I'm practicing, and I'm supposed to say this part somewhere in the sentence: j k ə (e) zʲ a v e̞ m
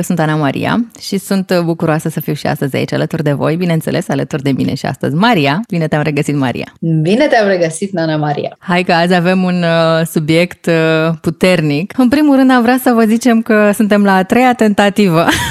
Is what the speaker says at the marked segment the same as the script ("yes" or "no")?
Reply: no